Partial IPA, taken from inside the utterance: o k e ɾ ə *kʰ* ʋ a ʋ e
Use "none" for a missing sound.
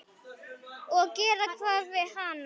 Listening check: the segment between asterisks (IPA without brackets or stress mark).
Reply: kʰ